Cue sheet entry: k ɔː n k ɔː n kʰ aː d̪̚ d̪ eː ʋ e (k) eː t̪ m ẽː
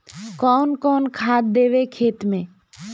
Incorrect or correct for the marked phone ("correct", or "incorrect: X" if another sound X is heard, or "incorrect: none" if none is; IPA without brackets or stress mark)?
incorrect: kʰ